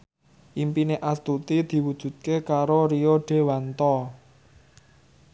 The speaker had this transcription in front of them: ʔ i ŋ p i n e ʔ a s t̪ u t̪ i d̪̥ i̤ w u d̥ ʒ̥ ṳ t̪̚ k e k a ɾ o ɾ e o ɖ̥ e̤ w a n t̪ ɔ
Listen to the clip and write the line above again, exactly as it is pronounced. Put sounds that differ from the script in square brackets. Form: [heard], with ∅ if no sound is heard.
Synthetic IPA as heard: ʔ i [m] p i n e ʔ a s t̪ u t̪ i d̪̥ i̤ w u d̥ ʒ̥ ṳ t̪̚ k e k a ɾ o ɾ [i] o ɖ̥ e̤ w a n t̪ ɔ

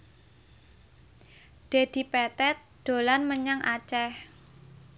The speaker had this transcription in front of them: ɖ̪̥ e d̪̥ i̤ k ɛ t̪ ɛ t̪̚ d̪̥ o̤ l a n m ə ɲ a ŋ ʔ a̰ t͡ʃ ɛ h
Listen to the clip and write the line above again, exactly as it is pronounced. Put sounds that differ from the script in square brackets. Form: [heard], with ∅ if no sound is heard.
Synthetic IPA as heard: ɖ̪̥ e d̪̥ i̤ [p] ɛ t̪ ɛ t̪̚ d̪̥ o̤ l a n m ə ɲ a ŋ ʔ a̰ t͡ʃ ɛ h

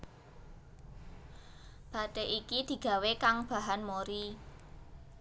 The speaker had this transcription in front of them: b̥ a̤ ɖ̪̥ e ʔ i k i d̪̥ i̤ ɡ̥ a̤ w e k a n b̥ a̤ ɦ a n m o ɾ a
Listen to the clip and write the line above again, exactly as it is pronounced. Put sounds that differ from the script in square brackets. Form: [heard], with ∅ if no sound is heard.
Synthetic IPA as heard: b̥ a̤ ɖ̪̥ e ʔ i k i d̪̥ i̤ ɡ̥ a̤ w e k a [ŋ] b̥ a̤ ɦ a n m o ɾ [i]

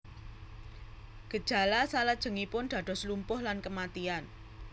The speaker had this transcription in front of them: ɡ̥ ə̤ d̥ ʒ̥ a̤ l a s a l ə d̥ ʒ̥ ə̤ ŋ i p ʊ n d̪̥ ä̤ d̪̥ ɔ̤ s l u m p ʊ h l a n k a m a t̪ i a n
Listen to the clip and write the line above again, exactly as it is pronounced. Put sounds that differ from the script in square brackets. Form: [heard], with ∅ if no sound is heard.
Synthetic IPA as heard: ɡ̥ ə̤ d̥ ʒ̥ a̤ l a s a l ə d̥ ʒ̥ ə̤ ŋ i p ʊ n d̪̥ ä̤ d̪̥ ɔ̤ s l u m p ʊ h l a n k [ə] m a t̪ i a n

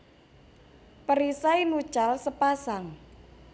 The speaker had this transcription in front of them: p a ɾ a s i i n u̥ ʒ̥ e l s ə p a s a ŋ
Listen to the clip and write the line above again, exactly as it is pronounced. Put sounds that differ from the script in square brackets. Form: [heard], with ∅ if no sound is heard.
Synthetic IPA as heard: p [ə] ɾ [i] s [a] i n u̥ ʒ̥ [a] l s ə p a s a ŋ

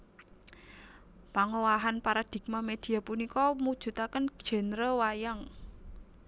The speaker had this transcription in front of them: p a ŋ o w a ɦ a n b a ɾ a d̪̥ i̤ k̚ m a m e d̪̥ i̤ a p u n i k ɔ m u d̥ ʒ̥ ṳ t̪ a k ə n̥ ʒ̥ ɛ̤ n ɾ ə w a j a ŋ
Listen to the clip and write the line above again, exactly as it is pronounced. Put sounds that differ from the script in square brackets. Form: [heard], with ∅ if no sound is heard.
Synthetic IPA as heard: p a ŋ o w a ɦ a n [p] a ɾ a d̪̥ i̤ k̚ m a m e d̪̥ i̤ a p u n i k ɔ m u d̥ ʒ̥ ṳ t̪ a k ə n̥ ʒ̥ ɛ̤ n ɾ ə w a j a ŋ

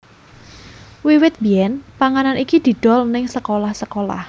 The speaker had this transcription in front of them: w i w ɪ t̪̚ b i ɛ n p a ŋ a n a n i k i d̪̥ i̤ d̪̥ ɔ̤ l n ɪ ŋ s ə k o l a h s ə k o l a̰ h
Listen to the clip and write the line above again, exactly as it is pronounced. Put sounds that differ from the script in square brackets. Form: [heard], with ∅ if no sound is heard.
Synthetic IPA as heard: w i w ɪ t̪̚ b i ɛ n p a ŋ a n a n i k i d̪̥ i̤ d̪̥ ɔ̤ l n ɪ ŋ s ə k o l a h s ə k o l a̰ h

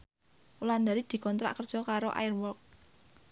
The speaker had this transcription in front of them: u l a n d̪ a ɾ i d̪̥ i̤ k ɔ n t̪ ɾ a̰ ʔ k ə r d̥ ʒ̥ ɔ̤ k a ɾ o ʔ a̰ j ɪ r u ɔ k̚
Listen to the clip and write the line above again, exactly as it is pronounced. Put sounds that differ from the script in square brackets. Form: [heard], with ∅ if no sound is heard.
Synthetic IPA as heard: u l a n d̪ a ɾ i d̪̥ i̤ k ɔ n t̪ ɾ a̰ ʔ k ə r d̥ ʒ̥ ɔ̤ k a ɾ o ʔ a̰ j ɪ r [w] ɔ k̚

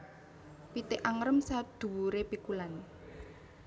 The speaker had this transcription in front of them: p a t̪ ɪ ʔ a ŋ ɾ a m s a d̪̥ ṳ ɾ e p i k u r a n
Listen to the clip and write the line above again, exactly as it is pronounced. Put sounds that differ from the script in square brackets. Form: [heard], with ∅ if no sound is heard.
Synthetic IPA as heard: p [i] t̪ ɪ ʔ a ŋ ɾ [ə] m s a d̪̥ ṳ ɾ e p i k u [l] a n

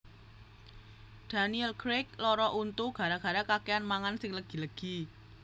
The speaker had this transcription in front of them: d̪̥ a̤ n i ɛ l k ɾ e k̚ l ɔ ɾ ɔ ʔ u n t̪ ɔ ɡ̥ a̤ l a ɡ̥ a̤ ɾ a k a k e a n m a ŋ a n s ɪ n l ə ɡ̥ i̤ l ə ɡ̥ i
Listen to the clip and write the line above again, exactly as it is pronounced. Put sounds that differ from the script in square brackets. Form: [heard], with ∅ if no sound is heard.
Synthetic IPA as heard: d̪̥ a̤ n i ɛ l k ɾ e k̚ l ɔ ɾ ɔ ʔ u n t̪ [u] ɡ̥ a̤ [ɾ] a ɡ̥ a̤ ɾ a k a k e a n m a ŋ a n s ɪ [ŋ] l ə ɡ̥ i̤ l ə ɡ̥ i

